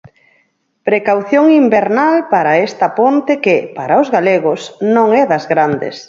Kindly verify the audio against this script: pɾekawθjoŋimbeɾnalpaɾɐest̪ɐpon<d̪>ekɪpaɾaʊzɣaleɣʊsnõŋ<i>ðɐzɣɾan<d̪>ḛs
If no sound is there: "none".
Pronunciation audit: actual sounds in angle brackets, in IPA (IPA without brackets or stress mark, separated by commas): t̪, ɛ, d̪